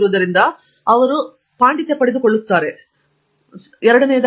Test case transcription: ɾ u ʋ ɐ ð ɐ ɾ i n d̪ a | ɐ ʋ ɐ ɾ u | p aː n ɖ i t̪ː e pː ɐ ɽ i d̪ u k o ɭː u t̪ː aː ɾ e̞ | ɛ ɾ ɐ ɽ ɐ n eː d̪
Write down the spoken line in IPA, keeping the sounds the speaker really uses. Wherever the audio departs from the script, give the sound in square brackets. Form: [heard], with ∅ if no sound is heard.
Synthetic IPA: ɾ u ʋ ɐ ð ɐ ɾ i n d̪ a | ɐ ʋ ɐ ɾ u | p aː [ɳ] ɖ i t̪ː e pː ɐ ɽ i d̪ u k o ɭː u t̪ː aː ɾ e̞ | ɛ ɾ ɐ ɽ ɐ n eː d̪